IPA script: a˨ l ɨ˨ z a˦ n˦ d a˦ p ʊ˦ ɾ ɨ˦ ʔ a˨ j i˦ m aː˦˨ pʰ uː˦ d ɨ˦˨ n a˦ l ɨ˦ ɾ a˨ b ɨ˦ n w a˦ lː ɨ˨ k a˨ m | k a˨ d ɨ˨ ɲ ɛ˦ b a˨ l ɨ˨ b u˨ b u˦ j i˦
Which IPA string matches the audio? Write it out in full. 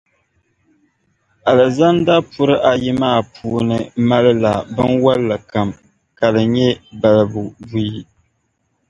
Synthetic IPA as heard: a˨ l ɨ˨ z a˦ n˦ d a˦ p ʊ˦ ɾ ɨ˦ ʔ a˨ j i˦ m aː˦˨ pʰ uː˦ n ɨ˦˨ m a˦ l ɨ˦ l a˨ b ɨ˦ n w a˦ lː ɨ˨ k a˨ m | k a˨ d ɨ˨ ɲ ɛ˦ b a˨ l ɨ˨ b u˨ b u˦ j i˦